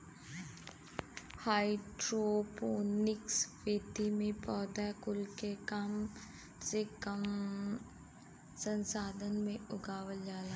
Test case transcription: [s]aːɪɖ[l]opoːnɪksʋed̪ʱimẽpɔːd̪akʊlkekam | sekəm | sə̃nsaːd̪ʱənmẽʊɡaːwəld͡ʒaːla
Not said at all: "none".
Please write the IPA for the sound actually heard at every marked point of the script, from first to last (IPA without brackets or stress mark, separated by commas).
h, ɾ